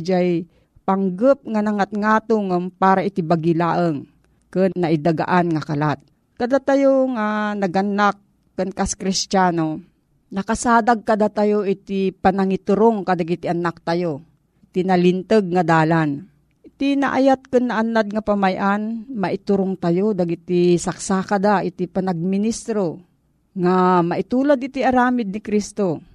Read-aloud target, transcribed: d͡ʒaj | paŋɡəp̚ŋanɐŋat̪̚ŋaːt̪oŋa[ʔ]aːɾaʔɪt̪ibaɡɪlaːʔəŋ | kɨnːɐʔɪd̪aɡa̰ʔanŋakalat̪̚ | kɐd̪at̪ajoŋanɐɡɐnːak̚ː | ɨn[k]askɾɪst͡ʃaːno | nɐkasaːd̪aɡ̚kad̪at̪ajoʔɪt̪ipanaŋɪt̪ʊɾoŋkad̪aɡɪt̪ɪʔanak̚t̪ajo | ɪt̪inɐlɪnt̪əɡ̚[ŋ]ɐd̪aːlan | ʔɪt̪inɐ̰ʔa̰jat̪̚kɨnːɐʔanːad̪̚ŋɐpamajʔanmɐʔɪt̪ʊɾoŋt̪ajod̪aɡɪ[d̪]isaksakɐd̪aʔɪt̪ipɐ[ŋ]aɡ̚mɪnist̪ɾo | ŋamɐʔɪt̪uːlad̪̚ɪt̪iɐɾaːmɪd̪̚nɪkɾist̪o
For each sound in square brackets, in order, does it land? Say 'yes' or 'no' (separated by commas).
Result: no, yes, yes, no, no